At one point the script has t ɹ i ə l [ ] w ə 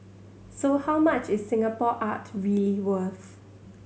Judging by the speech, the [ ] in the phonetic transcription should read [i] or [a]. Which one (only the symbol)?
i